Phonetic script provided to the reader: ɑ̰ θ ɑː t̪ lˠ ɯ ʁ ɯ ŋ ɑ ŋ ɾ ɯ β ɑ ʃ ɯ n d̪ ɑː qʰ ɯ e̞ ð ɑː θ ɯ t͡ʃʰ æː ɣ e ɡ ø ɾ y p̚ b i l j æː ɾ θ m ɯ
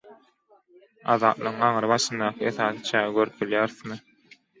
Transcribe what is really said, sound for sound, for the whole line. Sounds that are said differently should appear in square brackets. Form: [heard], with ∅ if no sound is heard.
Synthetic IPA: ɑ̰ [ð] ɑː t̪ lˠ ɯ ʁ ɯ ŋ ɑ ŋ ɾ ɯ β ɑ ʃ ɯ n d̪ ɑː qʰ ɯ e̞ [θ] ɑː θ ɯ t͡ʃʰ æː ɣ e ɡ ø ɾ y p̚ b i l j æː ɾ θ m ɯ

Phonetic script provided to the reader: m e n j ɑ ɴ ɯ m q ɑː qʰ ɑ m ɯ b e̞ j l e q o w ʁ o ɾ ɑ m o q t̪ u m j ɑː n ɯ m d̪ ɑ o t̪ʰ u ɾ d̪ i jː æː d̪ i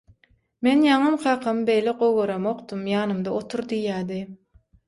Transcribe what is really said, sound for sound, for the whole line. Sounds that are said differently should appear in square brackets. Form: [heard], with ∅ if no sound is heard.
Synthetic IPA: m e n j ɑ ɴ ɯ m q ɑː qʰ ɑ m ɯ b e̞ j l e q o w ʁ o ɾ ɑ m o q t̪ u m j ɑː n ɯ m d̪ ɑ o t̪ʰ u ɾ d̪ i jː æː d̪ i

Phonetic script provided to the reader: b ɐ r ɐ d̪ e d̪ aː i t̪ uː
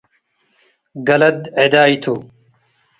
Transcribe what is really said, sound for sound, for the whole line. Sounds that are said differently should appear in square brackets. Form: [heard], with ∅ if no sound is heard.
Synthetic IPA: [ɡ] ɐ [l] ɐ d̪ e d̪ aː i [t̪ʰ] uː

